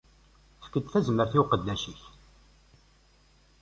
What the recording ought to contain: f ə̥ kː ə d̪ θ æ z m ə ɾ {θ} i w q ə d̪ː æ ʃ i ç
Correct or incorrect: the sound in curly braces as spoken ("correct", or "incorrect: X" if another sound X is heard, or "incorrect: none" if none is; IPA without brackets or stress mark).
correct